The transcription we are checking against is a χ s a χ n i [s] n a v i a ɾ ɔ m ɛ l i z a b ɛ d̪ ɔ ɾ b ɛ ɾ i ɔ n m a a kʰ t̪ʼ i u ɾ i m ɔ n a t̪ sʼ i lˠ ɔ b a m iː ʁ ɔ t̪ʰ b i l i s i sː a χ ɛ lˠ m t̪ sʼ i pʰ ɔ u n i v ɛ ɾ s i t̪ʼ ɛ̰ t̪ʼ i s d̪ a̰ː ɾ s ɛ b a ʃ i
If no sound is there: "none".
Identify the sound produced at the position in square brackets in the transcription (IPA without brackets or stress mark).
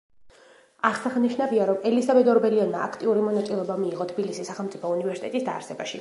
ʃ